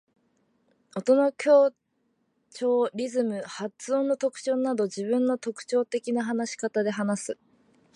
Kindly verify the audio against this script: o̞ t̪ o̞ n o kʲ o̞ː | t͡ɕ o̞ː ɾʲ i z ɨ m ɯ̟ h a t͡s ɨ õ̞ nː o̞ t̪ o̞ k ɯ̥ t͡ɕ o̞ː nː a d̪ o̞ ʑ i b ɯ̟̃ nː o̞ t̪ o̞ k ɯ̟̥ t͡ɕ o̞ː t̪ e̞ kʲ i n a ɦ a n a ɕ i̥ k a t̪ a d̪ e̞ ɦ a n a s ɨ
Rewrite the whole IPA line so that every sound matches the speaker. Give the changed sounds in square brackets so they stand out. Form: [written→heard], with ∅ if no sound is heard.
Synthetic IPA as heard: o̞ t̪ o̞ n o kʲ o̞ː | t͡ɕ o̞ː ɾʲ i z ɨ m ɯ̟ h a t͡s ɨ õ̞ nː o̞ t̪ o̞ k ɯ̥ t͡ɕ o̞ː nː a d̪ o̞ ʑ i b ɯ̟̃ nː o̞ t̪ o̞ k ɯ̟̥ t͡ɕ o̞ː t̪ e̞ kʲ i n a ɦ a n a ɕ i̥ k a t̪ a d̪ e̞ ɦ a n a s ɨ